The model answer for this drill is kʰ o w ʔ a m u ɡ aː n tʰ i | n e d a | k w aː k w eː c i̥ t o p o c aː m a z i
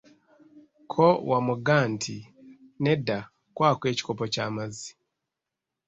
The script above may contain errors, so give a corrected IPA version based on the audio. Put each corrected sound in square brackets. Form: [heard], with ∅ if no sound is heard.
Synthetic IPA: kʰ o w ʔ a m u ɡ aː n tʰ i | n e d a | k w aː k w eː c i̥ [k] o p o c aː m a z i

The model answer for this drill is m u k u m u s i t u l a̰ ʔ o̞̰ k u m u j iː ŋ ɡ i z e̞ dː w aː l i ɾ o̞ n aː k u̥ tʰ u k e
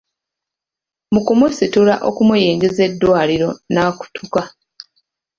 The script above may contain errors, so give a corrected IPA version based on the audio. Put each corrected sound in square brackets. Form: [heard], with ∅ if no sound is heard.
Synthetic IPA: m u k u m u s i t u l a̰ ʔ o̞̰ k u m u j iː ŋ ɡ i z e̞ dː w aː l i ɾ o̞ n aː k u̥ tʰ u k [a]

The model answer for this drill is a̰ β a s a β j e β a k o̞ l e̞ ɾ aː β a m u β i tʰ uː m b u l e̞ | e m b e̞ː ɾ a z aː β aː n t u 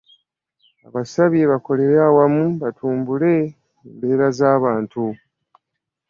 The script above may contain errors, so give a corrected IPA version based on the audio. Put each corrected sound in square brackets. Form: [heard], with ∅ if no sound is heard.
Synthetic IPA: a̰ β a s a β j e β a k o̞ l e̞ ɾ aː [w] a m u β [a] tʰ uː m b u l e̞ | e m b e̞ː ɾ a z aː β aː n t u

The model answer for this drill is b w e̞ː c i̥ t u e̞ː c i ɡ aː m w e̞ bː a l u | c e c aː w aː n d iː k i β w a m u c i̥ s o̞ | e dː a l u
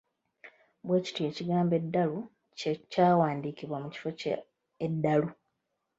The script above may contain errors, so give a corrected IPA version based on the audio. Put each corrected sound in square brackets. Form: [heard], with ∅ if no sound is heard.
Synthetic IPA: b w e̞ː c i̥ t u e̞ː c i ɡ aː m [b] e̞ [dː] a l u | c e c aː w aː n d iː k i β w a m u c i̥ [f] o̞ | e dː a l u

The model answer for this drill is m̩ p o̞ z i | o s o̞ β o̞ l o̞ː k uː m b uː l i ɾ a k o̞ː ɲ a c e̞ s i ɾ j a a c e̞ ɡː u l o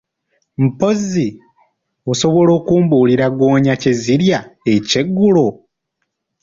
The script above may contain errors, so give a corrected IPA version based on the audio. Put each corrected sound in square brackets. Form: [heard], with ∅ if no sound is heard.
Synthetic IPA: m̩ p o̞ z i | o s o̞ β o̞ l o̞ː k uː m b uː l i ɾ a [ɡ] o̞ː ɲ a c e̞ [z] i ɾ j a [e] c e̞ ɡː u l o

